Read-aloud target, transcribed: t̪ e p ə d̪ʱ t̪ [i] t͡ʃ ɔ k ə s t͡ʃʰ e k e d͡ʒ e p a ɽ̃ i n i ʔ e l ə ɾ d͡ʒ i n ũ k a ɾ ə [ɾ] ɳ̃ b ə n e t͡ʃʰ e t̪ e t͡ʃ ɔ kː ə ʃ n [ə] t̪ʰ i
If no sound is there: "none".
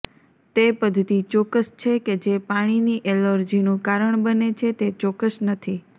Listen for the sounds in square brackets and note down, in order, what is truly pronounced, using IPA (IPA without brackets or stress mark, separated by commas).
i, none, ə